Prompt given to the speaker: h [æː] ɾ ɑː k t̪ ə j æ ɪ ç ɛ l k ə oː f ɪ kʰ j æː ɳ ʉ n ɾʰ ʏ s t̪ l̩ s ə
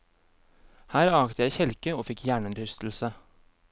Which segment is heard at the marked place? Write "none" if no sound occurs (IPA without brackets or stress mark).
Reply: æː